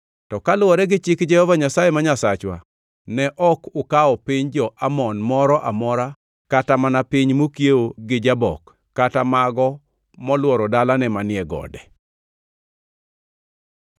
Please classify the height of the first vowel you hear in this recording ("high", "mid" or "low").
mid